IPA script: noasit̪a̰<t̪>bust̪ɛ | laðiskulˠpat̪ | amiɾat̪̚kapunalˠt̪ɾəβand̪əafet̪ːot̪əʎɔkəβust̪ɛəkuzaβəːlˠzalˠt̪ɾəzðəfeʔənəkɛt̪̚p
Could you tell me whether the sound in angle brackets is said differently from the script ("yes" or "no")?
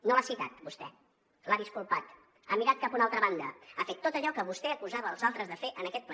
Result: no